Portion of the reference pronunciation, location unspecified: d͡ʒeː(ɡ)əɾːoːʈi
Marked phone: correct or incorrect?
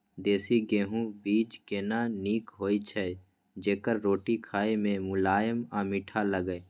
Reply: incorrect